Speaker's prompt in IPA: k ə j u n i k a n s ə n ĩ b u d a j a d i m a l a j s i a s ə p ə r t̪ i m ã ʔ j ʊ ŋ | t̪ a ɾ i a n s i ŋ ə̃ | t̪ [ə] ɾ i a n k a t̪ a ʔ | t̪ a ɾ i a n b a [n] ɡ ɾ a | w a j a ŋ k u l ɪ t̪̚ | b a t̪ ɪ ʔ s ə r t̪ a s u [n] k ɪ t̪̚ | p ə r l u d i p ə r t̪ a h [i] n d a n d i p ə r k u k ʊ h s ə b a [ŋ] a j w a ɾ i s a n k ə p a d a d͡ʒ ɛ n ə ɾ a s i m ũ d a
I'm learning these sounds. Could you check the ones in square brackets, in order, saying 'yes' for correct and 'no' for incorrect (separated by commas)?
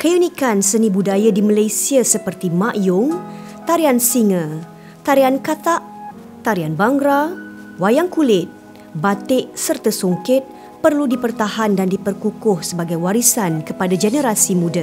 no, no, no, no, no